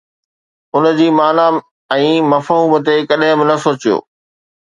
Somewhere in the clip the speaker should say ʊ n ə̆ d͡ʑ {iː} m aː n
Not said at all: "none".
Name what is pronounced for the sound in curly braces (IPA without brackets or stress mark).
iː